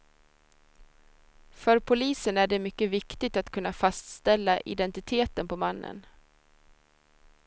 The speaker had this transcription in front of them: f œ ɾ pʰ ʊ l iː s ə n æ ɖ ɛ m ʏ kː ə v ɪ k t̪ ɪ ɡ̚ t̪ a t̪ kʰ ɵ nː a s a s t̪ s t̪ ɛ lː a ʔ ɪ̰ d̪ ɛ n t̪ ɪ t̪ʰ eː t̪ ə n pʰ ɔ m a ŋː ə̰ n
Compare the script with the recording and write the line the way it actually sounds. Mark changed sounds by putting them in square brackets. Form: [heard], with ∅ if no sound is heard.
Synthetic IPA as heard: f œ ɾ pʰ ʊ l iː s ə n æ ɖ ɛ m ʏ kː ə v ɪ k t̪ ɪ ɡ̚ t̪ a t̪ kʰ ɵ nː a [f] a s t̪ s t̪ ɛ lː a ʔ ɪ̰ d̪ ɛ n t̪ ɪ t̪ʰ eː t̪ ə n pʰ ɔ m a [nː] ə̰ n